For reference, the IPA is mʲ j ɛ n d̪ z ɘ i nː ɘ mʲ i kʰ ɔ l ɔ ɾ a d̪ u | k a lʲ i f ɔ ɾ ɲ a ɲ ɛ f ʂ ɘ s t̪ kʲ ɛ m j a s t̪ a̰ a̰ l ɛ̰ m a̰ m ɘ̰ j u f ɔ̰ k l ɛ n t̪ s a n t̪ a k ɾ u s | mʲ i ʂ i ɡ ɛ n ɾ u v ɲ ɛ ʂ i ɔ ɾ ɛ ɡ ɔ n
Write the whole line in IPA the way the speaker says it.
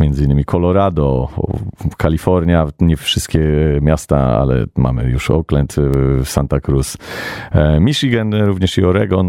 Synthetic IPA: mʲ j ɛ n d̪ z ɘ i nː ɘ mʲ i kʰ ɔ l ɔ ɾ a d̪ ɔ | k a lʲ i f ɔ ɾ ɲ a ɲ ɛ f ʂ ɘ s t̪ kʲ ɛ m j a s t̪ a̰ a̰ l ɛ̰ m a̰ m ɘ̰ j u ʂ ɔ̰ k l ɛ n t̪ s a n t̪ a k ɾ u s | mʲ i ʂ i ɡ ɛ n ɾ u v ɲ ɛ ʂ i ɔ ɾ ɛ ɡ ɔ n